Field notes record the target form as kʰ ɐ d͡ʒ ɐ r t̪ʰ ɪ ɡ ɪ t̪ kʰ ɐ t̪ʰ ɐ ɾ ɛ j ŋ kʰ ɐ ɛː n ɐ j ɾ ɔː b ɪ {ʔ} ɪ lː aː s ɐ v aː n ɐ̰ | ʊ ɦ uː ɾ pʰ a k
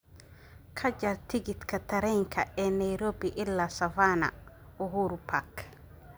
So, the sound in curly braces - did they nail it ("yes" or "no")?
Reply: yes